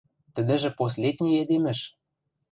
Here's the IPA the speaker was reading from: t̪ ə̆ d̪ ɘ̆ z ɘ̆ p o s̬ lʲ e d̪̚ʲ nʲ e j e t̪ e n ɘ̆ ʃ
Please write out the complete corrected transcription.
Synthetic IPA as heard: t̪ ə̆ d̪ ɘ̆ ʒ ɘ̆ p o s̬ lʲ e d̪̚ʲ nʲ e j e d̪ e m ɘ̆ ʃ